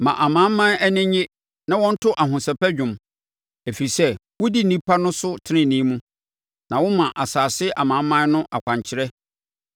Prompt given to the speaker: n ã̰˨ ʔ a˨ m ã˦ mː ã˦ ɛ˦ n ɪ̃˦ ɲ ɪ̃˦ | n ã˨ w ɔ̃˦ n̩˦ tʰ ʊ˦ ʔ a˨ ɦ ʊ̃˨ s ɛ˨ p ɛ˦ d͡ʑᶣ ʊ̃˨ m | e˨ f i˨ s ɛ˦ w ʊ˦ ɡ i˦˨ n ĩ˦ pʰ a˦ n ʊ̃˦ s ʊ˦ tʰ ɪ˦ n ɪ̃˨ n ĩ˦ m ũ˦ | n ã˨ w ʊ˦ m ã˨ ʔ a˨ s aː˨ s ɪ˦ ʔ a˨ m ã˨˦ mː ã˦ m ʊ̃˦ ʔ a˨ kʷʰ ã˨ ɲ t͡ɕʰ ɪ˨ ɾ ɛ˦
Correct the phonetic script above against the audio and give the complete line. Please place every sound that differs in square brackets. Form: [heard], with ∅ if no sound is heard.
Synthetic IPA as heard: [m] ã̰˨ ʔ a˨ m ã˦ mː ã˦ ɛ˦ n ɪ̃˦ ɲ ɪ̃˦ | n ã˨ w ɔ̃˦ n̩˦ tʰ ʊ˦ ʔ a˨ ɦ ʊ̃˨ s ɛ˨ p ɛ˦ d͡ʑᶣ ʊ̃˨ m | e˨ f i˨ s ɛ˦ w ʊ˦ [d] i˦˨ n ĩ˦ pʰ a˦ n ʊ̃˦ s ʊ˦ tʰ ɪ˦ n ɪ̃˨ n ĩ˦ m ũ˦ | n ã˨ w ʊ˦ m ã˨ ʔ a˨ s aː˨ s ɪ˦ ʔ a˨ m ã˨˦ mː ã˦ [n] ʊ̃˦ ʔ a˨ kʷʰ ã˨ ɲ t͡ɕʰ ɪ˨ ɾ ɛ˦